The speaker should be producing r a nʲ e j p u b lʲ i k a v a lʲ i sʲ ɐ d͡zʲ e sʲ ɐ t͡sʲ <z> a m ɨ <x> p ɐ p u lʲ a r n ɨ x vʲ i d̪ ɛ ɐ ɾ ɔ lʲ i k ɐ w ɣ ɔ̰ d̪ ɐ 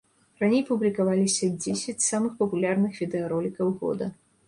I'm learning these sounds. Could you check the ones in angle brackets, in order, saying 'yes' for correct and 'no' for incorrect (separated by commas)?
no, yes